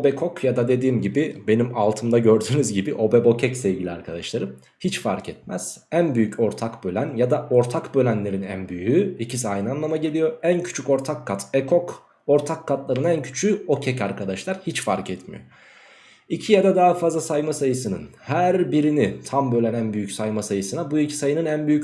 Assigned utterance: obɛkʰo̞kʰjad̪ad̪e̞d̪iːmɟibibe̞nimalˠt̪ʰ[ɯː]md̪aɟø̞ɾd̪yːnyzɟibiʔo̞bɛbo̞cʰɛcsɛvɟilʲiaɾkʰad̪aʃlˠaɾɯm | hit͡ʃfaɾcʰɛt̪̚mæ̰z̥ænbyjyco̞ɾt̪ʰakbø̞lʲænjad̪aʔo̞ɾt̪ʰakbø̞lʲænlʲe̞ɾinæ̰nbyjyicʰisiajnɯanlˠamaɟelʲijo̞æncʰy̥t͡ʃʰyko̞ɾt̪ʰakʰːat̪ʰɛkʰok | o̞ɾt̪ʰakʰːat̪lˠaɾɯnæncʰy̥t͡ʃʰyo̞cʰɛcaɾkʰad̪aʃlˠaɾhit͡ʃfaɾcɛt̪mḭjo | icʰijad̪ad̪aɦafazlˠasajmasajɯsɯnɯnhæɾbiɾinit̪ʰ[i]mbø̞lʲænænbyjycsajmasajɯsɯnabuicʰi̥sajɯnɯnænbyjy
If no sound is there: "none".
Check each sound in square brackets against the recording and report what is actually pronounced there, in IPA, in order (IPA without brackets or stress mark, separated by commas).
ɯ, a